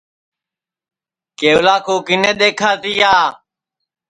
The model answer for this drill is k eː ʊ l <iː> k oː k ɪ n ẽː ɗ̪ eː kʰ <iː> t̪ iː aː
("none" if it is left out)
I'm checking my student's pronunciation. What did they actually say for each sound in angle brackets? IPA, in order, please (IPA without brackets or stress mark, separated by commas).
aː, aː